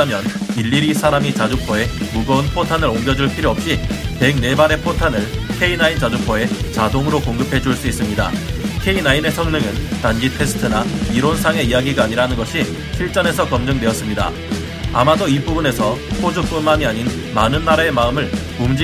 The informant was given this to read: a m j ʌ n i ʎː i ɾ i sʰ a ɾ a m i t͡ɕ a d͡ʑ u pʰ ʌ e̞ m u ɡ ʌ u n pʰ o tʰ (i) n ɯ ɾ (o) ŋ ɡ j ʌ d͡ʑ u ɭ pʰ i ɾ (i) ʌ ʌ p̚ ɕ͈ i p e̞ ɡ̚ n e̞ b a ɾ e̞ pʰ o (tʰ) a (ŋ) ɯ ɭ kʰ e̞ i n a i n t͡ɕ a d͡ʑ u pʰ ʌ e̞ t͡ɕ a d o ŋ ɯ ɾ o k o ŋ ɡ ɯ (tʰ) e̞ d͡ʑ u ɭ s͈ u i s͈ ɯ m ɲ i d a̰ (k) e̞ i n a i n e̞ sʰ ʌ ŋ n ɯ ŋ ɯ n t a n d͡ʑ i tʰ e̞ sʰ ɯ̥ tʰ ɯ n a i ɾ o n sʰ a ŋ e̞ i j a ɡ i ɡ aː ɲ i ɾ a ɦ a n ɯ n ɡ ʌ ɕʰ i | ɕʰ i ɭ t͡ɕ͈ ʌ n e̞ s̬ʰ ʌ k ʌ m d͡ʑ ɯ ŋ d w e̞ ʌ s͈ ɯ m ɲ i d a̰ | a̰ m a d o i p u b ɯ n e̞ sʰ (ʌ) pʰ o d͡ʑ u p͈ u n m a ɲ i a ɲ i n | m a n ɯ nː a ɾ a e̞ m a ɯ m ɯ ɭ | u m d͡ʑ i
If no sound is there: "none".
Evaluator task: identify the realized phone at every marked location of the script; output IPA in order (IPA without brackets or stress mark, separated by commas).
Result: a, o, j, tʰ, n, pʰ, kʰ, ʌ